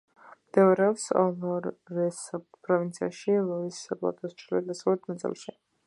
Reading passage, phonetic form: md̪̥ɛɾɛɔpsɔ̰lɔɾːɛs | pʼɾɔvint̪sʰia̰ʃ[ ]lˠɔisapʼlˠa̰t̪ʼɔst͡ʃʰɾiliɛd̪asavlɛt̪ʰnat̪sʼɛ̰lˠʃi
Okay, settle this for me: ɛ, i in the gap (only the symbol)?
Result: i